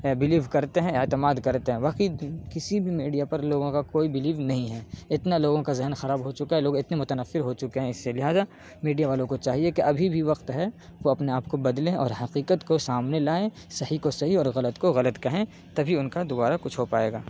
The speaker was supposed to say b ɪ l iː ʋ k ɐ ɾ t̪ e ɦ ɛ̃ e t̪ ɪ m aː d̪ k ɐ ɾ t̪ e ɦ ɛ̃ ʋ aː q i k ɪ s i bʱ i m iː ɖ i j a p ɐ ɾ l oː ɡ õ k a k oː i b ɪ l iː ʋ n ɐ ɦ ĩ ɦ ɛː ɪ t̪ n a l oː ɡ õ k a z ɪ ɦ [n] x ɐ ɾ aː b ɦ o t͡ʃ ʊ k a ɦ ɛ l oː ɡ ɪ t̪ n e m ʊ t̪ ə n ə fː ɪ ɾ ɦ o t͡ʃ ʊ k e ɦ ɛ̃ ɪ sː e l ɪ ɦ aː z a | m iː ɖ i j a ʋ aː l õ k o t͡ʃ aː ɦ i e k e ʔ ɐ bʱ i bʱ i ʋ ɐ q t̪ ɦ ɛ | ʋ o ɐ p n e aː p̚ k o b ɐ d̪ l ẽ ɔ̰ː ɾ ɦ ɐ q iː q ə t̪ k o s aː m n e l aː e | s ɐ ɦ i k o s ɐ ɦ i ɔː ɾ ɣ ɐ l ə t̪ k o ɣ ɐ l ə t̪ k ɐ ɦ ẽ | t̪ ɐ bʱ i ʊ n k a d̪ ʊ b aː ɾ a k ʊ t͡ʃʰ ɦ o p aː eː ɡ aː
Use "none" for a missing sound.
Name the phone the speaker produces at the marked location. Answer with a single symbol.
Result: n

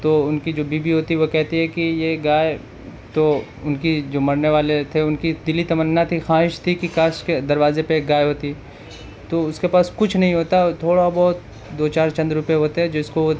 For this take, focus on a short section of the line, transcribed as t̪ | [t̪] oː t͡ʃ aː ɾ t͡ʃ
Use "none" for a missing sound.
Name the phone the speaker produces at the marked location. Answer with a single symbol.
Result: d̪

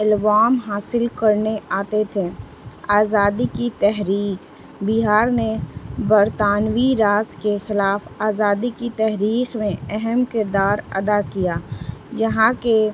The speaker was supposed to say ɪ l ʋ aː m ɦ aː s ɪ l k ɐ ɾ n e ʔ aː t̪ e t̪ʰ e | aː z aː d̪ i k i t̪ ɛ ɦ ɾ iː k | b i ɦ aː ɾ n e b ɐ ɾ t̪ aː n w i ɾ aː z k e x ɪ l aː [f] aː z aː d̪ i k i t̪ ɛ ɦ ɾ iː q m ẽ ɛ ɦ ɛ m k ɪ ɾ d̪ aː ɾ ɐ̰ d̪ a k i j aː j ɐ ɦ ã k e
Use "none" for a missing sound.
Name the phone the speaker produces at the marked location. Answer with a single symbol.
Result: f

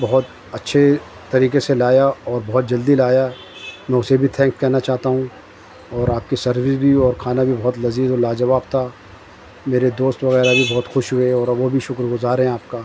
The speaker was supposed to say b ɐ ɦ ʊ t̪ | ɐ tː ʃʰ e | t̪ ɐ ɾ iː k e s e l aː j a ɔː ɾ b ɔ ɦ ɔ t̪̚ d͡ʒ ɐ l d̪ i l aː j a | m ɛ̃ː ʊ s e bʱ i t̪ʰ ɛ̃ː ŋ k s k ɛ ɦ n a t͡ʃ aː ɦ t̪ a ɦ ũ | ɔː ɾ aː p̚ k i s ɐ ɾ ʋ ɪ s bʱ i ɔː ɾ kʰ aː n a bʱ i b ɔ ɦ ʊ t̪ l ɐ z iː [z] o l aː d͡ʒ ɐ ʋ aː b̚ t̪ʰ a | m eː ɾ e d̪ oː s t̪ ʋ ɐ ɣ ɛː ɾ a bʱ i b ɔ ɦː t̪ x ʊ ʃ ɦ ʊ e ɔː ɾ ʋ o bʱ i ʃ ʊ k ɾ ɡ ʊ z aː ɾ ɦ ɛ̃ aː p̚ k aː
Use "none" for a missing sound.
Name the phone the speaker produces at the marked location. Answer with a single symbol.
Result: z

